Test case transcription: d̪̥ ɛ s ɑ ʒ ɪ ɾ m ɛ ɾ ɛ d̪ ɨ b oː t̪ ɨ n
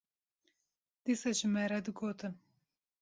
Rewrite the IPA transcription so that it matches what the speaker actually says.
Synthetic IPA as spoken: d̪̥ i s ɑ ʒ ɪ m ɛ ɾ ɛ d̪ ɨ ɡ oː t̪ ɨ n